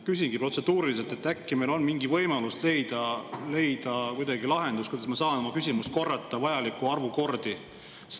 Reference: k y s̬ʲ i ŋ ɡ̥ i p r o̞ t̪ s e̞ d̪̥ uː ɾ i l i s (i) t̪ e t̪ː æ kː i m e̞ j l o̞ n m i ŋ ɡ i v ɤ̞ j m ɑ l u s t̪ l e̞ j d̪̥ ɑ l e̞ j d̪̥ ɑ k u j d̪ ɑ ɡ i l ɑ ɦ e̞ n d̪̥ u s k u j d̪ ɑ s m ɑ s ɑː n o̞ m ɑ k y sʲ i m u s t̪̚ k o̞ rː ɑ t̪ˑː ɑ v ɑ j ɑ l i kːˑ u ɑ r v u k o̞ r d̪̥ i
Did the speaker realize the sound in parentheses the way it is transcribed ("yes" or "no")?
no